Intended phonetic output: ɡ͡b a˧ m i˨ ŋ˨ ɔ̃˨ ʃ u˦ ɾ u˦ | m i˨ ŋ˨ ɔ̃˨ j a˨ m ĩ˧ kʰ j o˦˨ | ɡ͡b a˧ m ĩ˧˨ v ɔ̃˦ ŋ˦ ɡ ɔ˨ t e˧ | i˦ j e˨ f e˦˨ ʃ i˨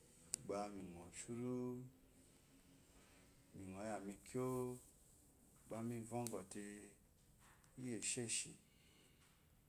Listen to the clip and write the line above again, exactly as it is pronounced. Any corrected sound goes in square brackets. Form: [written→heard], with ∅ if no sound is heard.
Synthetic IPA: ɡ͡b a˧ m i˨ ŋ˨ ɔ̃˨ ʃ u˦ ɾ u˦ | m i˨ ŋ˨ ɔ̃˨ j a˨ m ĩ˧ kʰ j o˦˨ | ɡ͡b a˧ m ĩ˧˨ v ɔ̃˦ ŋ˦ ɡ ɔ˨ t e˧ | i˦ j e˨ [f→ʃ] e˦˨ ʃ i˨